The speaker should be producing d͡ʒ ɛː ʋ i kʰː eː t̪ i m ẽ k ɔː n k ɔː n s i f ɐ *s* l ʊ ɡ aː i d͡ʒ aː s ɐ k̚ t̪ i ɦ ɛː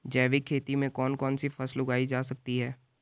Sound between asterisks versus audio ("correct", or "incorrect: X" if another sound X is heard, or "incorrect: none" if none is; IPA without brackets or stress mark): correct